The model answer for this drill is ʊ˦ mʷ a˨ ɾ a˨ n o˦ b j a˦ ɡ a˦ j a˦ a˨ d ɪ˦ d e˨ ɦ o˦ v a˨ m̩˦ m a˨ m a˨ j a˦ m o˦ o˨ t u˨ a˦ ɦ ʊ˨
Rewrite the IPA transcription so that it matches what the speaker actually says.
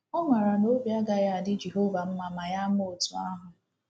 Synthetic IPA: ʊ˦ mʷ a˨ ɾ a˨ n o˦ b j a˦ ɡ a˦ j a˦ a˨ d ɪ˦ d͡ʒ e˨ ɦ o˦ v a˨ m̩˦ m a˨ m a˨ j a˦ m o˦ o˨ t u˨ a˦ ɦ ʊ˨